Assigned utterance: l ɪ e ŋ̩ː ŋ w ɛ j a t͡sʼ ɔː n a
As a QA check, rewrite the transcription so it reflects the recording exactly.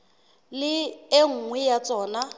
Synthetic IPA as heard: l ɪ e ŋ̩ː ŋ w ɛ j a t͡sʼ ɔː n a